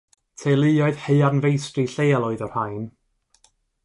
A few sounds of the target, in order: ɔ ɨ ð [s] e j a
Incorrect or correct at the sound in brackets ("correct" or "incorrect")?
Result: incorrect